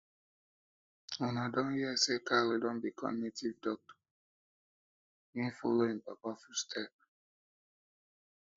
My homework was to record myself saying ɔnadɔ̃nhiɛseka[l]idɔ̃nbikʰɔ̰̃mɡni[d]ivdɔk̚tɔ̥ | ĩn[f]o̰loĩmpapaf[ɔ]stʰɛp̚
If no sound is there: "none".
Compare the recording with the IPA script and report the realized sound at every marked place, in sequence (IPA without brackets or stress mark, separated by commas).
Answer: l, t, f, u